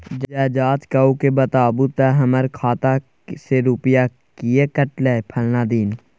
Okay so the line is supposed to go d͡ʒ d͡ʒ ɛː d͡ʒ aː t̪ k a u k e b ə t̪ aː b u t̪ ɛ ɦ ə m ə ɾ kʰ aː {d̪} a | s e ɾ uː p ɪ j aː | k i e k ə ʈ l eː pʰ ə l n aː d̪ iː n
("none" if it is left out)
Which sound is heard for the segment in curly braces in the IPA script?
t̪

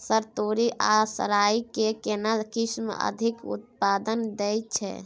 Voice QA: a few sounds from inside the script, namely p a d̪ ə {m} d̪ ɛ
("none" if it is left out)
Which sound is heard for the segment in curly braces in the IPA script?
n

